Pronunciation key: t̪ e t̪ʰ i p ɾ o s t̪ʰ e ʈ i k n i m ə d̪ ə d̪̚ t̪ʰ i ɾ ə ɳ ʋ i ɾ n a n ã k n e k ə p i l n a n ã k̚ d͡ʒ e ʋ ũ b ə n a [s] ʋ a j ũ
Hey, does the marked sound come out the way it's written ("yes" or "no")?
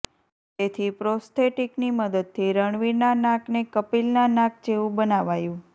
no